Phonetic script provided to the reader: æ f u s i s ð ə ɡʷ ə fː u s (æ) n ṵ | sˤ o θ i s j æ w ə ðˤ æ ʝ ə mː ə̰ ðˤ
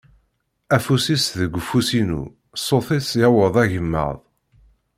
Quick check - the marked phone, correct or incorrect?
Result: incorrect